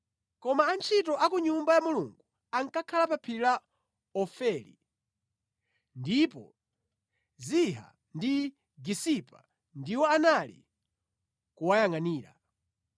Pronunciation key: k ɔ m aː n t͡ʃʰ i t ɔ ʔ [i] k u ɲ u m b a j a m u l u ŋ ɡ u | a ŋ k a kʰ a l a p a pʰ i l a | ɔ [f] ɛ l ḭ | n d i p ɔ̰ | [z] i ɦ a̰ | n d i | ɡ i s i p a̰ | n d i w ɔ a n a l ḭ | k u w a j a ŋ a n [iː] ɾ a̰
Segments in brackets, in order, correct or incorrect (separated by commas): incorrect, correct, correct, correct